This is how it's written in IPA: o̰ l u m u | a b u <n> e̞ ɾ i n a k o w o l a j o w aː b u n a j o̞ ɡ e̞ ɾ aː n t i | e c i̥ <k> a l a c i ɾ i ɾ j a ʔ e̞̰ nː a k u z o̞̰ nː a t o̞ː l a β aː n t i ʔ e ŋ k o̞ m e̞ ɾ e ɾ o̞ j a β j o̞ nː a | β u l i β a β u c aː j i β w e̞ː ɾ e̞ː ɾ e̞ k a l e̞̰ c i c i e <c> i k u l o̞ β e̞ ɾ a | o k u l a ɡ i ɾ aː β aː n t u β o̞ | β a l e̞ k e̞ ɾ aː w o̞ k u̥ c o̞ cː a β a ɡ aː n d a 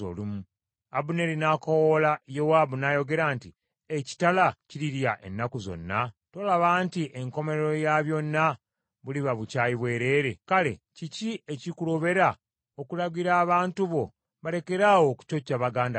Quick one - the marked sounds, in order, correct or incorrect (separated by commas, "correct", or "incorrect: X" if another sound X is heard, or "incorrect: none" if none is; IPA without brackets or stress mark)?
correct, incorrect: t, correct